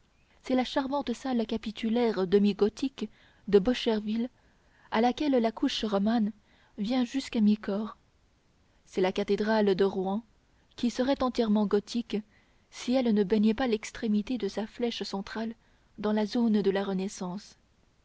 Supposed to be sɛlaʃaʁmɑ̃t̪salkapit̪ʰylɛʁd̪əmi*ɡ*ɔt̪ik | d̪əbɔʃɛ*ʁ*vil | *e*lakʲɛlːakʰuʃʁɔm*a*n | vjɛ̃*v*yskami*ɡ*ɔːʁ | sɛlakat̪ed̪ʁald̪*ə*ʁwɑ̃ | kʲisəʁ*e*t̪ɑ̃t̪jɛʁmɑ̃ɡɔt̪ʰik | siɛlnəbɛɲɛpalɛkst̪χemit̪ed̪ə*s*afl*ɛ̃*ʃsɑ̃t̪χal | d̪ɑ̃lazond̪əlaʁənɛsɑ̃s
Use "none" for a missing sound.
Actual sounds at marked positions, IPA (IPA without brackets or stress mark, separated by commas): ɡ, ʁ, a, a, ʒ, k, ə, ɛ, s, ɛ